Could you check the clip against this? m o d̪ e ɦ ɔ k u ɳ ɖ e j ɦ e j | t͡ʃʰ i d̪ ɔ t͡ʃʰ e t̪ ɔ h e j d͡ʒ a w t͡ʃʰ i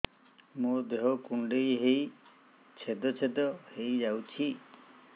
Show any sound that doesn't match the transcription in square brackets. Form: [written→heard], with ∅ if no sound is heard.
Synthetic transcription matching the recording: m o d̪ e ɦ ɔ k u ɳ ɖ e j ɦ e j | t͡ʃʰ [i→e] d̪ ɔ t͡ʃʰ e [t̪→d̪] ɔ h e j d͡ʒ a w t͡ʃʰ i